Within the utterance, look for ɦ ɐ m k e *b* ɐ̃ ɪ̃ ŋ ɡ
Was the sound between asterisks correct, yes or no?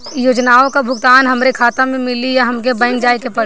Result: yes